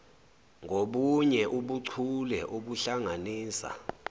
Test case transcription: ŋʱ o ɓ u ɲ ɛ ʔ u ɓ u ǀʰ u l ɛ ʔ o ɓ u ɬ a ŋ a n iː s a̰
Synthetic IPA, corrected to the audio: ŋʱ o ɓ u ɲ ɛ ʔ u ɓ u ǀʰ u l ɛ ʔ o ɓ u ɬ a ŋ a n iː s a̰